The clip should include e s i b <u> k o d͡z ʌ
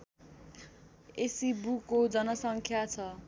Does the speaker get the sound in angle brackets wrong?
no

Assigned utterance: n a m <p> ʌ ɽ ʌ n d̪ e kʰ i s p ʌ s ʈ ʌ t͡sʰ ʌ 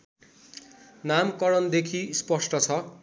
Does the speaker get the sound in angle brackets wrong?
yes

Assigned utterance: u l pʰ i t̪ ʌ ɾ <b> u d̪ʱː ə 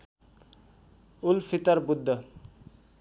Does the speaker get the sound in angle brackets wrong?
no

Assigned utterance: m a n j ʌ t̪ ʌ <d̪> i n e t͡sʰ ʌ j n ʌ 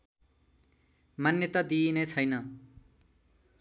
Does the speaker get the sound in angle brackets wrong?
no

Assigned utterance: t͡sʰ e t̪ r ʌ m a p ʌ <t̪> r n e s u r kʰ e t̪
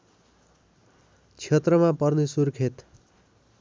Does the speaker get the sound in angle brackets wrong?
yes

